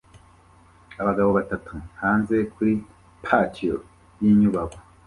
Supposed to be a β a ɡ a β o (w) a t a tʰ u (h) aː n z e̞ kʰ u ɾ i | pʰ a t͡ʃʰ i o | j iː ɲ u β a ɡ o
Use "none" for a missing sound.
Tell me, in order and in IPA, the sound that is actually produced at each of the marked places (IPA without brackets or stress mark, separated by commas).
β, h